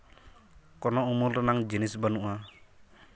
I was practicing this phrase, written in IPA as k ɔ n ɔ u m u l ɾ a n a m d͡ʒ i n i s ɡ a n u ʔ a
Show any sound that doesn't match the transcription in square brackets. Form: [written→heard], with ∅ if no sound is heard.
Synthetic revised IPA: k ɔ n ɔ u m u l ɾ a n a [m→ŋ] d͡ʒ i n i s [ɡ→b] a n u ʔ a